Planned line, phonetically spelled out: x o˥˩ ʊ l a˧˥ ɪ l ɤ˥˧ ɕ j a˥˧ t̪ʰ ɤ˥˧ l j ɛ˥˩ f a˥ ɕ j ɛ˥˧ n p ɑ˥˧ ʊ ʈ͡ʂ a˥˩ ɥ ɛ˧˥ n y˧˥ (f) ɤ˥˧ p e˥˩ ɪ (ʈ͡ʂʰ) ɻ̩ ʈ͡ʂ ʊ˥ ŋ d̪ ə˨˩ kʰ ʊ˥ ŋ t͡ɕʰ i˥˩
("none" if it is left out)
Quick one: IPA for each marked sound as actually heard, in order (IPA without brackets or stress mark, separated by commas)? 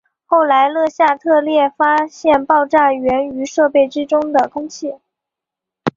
ʂ, ʈ͡ʂ